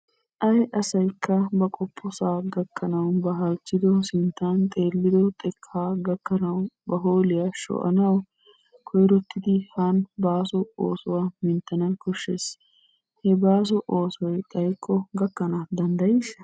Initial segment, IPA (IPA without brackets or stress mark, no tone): ʔ